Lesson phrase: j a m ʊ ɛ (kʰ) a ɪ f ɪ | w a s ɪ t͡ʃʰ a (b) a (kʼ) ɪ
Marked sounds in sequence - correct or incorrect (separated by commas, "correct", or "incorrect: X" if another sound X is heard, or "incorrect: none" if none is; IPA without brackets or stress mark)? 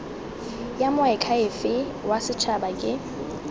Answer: correct, correct, correct